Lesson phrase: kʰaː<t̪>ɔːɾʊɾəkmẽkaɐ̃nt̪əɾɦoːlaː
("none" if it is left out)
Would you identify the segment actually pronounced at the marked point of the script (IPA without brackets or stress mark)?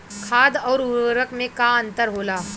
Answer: d̪